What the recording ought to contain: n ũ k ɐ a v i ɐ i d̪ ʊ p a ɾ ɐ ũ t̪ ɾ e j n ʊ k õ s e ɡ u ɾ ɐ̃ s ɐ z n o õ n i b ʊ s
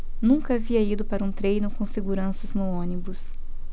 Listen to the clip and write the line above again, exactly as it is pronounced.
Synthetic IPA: n ũ k ɐ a v i ɐ i d̪ ʊ p a ɾ ɐ ũ t̪ ɾ e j n ʊ k õ s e ɡ u ɾ ɐ̃ s ɐ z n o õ n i b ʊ s